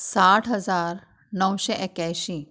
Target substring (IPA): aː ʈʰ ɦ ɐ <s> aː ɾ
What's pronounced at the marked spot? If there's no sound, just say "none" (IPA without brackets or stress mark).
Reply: z